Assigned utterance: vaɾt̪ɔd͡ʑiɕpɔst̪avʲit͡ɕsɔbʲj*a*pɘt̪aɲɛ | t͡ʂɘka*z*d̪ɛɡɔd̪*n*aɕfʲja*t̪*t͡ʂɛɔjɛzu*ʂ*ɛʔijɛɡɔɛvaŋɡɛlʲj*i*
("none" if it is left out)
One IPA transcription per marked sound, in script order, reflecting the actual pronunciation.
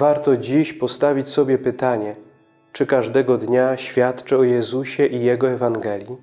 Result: ɛ, ʐ, ɲ, t̪, ɕ, i

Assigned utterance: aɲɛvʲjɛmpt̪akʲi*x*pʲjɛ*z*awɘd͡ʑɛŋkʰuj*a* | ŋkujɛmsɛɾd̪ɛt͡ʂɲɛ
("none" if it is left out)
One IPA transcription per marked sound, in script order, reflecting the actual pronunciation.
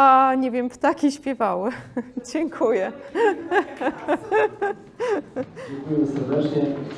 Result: ɕ, v, ɛ

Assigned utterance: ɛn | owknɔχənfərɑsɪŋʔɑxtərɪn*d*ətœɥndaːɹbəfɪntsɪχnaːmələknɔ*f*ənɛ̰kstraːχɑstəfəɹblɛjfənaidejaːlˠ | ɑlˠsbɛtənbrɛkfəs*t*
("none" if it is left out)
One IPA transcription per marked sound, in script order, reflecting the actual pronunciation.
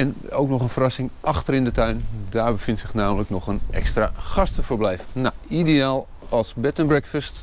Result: d, χ, t

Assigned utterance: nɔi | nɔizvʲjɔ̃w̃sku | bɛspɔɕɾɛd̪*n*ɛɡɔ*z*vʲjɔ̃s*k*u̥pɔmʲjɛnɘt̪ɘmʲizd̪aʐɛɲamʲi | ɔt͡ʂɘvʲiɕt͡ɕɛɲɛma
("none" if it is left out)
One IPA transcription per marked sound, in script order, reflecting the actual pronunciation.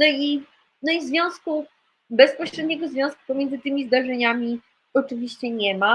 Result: ɲ, z, k

